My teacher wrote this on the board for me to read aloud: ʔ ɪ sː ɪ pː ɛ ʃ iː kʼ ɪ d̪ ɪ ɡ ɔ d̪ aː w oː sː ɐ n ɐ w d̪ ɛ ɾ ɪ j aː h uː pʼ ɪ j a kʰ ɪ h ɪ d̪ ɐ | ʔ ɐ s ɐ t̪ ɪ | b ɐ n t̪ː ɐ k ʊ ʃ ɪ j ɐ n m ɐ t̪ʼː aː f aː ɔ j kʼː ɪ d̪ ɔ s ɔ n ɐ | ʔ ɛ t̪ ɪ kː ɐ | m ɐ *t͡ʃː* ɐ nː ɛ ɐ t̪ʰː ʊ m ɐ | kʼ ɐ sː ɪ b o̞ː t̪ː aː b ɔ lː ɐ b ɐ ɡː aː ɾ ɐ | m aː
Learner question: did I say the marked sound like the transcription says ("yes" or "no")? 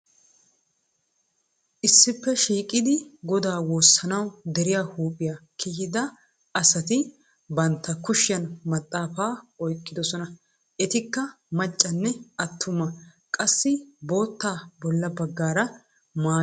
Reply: no